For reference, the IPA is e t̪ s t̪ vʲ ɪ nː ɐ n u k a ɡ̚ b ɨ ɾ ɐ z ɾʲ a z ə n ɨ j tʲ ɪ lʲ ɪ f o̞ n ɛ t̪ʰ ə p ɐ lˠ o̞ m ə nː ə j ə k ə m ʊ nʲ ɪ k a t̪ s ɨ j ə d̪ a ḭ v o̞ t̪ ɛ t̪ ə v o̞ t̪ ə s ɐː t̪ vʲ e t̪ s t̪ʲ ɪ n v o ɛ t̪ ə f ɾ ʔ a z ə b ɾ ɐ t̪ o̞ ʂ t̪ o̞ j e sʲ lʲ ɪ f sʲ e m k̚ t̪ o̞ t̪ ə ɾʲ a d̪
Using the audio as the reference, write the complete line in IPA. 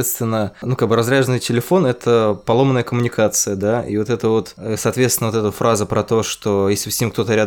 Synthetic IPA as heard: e t̪ s t̪ vʲ ɪ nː ə n u k a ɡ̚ b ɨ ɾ ɐ z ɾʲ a ʐ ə n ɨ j tʲ ɪ lʲ ɪ f o̞ n ɛ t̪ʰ ə p ɐ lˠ o̞ m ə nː ə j ə k ə m ʊ nʲ ɪ k a t̪ s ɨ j ə d̪ a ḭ v o̞ t̪ ɛ t̪ ə v o̞ t̪ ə s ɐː t̪ vʲ e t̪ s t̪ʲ ɪ n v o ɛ t̪ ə f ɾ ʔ a z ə p ɾ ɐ t̪ o̞ ʂ t̪ o̞ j e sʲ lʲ ɪ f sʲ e m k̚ t̪ o̞ t̪ ə ɾʲ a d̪